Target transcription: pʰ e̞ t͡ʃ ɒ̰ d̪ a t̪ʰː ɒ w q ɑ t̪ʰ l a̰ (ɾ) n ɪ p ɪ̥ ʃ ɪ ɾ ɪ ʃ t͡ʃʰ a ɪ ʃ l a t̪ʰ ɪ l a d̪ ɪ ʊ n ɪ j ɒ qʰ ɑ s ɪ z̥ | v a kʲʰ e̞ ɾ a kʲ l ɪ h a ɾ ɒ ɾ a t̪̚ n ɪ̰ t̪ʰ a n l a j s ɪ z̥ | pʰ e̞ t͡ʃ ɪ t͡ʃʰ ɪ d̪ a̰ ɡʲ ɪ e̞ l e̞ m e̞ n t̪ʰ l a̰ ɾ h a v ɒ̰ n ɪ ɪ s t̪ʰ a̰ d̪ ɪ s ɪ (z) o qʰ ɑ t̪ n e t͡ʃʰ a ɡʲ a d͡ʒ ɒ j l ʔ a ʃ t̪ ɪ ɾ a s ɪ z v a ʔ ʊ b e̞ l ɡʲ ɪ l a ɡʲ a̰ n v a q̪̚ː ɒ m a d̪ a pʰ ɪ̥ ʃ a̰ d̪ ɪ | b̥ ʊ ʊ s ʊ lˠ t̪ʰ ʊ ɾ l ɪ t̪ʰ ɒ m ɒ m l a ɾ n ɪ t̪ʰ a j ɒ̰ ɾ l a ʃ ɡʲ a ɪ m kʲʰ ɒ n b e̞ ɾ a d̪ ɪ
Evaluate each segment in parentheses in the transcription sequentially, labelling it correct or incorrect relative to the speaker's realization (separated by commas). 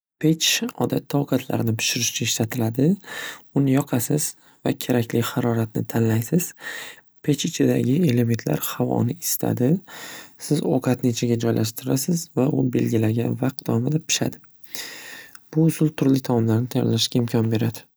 correct, correct